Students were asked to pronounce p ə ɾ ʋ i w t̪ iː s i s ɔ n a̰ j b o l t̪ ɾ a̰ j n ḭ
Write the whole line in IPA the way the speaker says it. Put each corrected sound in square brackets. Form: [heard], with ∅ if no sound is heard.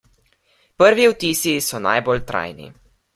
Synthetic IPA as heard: p ə ɾ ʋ i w t̪ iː s i s ɔ n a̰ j b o l t̪ ɾ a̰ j n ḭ